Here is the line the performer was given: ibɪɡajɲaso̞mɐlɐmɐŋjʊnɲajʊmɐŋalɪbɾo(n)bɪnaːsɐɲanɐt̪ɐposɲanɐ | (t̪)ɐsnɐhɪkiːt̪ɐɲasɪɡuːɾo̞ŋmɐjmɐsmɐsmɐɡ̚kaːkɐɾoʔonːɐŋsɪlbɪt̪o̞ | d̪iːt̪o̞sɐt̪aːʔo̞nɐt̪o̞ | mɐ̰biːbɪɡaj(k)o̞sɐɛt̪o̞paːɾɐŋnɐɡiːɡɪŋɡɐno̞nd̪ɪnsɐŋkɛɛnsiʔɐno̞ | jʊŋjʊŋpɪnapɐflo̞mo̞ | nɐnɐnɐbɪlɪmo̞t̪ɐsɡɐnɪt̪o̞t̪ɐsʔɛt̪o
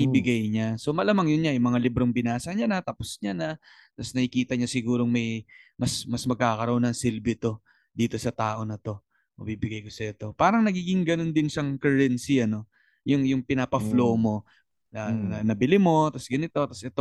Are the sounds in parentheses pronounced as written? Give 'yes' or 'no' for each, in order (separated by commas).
no, yes, yes